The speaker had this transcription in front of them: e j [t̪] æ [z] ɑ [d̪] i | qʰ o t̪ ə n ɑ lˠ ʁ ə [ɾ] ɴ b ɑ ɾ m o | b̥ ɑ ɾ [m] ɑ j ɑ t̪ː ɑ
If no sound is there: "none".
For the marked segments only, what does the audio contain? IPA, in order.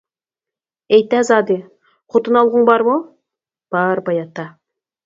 t̪, z, d̪, none, b

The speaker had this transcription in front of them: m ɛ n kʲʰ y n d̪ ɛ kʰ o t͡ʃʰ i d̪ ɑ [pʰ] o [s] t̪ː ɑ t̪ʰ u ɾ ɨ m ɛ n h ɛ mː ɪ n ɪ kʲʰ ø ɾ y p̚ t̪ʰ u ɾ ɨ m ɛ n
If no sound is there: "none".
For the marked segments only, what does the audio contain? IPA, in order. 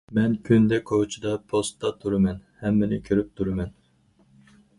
pʰ, s

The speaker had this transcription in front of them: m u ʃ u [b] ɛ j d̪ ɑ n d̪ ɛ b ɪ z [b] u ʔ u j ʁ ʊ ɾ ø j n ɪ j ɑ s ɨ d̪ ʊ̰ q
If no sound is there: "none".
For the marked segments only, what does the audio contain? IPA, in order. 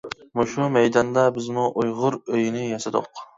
m, m

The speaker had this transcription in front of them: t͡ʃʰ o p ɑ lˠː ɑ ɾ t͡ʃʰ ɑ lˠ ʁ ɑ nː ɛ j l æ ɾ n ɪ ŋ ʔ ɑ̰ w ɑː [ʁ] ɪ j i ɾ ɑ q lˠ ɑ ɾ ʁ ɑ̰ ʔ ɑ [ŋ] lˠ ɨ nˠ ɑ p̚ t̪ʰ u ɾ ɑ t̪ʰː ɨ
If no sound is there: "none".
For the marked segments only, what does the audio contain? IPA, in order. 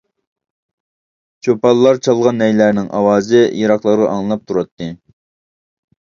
z, ŋ

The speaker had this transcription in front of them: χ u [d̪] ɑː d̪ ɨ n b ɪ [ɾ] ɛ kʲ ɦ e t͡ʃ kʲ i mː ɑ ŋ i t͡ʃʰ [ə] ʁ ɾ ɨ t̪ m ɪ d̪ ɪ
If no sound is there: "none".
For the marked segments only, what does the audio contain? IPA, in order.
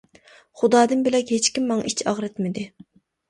d̪, l, ɑ

